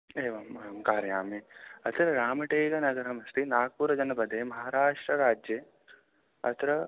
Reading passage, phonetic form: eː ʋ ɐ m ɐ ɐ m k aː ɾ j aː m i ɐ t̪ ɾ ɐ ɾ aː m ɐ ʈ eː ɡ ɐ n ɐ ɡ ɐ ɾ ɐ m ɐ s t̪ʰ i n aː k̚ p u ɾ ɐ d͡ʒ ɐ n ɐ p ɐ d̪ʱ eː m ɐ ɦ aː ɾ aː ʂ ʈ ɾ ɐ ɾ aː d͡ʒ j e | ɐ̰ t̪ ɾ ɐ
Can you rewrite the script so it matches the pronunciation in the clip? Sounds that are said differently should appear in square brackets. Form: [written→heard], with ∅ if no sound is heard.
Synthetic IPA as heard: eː ʋ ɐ m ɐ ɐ m k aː ɾ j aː m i ɐ t̪ ɾ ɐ ɾ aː m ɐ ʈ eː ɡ ɐ n ɐ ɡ ɐ ɾ ɐ m ɐ s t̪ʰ i n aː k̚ p u ɾ ɐ d͡ʒ ɐ n ɐ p ɐ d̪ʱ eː m ɐ ɦ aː ɾ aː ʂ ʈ ɾ ɐ ɾ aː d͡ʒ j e | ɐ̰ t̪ ɾ ɐ